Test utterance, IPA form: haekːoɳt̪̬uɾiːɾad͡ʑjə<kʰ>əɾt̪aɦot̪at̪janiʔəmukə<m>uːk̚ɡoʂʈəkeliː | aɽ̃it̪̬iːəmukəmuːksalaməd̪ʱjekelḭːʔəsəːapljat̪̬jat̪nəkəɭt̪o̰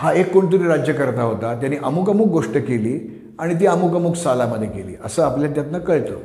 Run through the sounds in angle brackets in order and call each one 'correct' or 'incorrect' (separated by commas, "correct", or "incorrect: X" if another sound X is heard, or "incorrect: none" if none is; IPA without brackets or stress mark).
incorrect: k, correct